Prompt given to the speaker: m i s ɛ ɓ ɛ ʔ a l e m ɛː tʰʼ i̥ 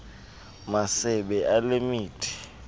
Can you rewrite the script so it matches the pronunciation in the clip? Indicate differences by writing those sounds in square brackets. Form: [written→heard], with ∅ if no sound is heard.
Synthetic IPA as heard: m [i→a] s ɛ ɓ ɛ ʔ a l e m [ɛː→iː] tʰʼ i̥